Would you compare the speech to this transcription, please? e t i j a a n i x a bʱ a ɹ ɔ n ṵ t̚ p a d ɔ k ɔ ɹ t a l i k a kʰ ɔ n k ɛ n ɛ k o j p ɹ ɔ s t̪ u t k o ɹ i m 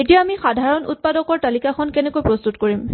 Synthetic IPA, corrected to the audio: e t i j a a m i x a dʱ a ɹ ɔ n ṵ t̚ p a d ɔ k ɔ ɹ t a l i k a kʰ ɔ n k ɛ n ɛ k o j p ɹ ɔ s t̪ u t k o ɹ i m

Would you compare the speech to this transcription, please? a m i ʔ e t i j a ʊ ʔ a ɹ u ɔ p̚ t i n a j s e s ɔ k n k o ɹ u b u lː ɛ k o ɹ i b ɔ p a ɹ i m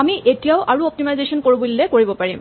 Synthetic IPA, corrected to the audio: a m i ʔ e t i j a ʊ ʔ a ɹ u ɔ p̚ t i m a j z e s ɔ n k o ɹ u b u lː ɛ k o ɹ i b ɔ p a ɹ i m

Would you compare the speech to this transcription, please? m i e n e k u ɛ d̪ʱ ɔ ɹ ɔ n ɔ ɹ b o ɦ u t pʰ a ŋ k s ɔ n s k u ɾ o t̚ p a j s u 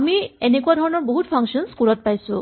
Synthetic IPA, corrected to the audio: m i e n e k u a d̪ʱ ɔ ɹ ɔ n ɔ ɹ b o ɦ u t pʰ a ŋ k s ɔ n s k u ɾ ɔ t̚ p a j s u

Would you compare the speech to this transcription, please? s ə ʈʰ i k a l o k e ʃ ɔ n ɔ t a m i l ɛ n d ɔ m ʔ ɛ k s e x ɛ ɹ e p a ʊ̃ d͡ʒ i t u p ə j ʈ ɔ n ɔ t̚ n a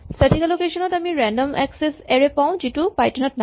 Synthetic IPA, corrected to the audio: s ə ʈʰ i k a l o k e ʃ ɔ n ɔ t a m i ɹ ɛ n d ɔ m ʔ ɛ k s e s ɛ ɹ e p a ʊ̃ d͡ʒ i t u p a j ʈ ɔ n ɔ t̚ n a

